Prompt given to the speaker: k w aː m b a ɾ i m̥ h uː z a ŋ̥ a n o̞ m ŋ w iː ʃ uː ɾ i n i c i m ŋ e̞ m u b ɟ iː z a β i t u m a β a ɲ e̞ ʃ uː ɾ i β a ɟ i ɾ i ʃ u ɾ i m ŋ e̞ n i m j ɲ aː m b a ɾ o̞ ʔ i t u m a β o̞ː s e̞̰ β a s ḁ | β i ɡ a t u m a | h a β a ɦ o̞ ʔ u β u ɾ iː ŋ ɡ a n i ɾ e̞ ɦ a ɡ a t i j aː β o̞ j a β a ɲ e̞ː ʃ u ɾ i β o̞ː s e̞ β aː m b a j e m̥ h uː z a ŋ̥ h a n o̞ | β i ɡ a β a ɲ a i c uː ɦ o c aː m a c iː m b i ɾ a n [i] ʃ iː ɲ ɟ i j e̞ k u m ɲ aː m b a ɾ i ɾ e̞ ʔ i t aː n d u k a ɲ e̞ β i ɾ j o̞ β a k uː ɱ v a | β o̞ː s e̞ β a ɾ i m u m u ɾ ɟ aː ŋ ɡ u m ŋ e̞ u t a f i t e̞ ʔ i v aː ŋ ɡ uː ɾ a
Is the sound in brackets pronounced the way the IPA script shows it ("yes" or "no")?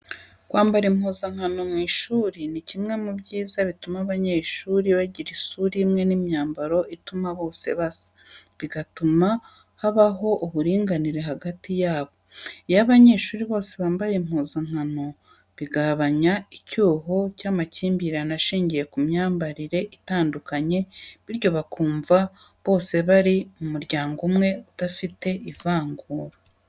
no